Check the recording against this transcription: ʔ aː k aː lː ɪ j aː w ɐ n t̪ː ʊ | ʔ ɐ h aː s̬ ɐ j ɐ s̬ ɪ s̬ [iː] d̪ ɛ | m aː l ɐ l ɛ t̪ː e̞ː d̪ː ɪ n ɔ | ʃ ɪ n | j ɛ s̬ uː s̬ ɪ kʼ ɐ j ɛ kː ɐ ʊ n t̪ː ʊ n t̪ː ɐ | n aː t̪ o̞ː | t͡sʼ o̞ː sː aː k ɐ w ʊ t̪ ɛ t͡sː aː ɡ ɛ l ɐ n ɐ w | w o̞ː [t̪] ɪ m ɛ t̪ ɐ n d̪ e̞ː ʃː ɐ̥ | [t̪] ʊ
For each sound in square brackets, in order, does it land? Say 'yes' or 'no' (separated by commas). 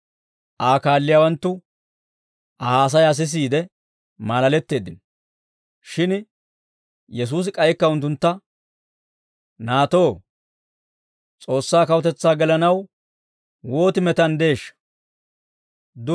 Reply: yes, yes, no